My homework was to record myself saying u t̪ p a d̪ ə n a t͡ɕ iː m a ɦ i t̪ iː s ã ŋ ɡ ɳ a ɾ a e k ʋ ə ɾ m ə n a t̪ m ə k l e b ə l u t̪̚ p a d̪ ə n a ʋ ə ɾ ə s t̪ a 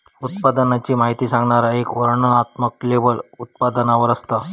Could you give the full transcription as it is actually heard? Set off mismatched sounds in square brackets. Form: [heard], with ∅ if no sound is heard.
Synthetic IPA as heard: u t̪ p a d̪ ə n a t͡ɕ iː m a ɦ i t̪ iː s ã ŋ ɡ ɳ a ɾ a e k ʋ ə ɾ [ɳ] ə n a t̪ m ə k l e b ə l u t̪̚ p a d̪ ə n a ʋ ə ɾ ə s t̪ a